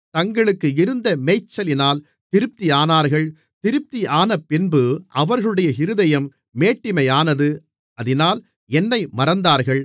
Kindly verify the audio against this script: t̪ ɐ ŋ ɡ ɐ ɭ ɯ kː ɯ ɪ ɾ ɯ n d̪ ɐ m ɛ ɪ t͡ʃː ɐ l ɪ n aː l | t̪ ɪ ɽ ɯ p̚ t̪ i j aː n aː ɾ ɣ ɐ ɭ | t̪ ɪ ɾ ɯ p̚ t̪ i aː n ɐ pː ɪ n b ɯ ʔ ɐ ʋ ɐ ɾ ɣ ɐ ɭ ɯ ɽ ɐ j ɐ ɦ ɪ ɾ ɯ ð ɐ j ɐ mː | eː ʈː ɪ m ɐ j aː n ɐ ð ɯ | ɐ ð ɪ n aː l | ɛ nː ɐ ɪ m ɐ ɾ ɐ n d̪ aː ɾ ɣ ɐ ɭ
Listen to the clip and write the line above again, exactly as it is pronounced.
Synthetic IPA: t̪ ɐ ŋ ɡ ɐ ɭ ɯ kː ɯ ɪ ɾ ɯ n d̪ ɐ m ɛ ɪ t͡ʃː ɐ l ɪ n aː l | t̪ ɪ ɾ ɯ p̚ t̪ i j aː n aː ɾ ɣ ɐ ɭ | t̪ ɪ ɾ ɯ p̚ t̪ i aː n ɐ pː ɪ n b ɯ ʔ ɐ ʋ ɐ ɾ ɣ ɐ ɭ ɯ ɽ ɐ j ɐ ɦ ɪ ɾ ɯ ð ɐ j ɐ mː | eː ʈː ɪ m ɐ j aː n ɐ ð ɯ | ɐ ð ɪ n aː l | ɛ nː ɐ ɪ m ɐ ɾ ɐ n d̪ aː ɾ ɣ ɐ ɭ

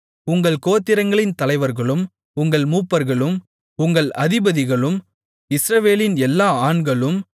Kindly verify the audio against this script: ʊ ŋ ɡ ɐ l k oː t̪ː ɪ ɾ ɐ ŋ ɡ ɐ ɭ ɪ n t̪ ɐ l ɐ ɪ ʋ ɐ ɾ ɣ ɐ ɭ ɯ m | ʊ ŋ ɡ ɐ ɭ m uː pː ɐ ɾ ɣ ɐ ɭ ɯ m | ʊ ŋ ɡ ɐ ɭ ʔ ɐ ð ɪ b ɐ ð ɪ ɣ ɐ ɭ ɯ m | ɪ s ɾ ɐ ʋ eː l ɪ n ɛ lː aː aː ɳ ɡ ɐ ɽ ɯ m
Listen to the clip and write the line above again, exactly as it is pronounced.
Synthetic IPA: ʊ ŋ ɡ ɐ ɭ k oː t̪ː ɪ ɾ ɐ ŋ ɡ ɐ ɭ ɪ n t̪ ɐ l ɐ ɪ ʋ ɐ ɾ ɣ ɐ ɭ ɯ m | ʊ ŋ ɡ ɐ ɭ m uː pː ɐ ɾ ɣ ɐ ɭ ɯ m | ʊ ŋ ɡ ɐ ɭ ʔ ɐ ð ɪ b ɐ ð ɪ ɣ ɐ ɭ ɯ m | ɪ s ɾ ɐ ʋ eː l ɪ n ɛ lː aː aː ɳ ɡ ɐ ɭ ɯ m

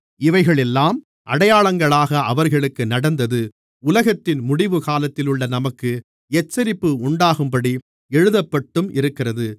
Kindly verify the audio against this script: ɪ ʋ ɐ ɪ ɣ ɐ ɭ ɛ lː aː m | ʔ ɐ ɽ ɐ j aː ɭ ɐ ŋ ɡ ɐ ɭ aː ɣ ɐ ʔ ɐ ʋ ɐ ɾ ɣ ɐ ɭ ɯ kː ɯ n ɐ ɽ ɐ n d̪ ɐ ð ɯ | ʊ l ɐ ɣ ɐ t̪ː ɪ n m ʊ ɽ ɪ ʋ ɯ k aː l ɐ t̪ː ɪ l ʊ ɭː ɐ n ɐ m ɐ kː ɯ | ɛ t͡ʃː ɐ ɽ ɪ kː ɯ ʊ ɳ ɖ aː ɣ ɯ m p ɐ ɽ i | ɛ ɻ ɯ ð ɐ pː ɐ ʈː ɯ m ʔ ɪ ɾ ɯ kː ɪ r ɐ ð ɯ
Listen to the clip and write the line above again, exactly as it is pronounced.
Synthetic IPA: ɪ ʋ ɐ ɪ ɣ ɐ ɭ ɛ lː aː m | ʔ ɐ ɽ ɐ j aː ɭ ɐ ŋ ɡ ɐ ɭ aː ɣ ɐ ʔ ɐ ʋ ɐ ɾ ɣ ɐ ɭ ɯ kː ɯ n ɐ ɽ ɐ n d̪ ɐ ð ɯ | ʊ l ɐ ɣ ɐ t̪ː ɪ n m ʊ ɽ ɪ ʋ ɯ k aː l ɐ t̪ː ɪ l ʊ ɭː ɐ n ɐ m ɐ kː ɯ | ɛ t͡ʃː ɐ ɾ ɪ pː ɯ ʊ ɳ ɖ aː ɣ ɯ m p ɐ ɽ i | ɛ ɻ ɯ ð ɐ pː ɐ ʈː ɯ m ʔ ɪ ɾ ɯ kː ɪ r ɐ ð ɯ

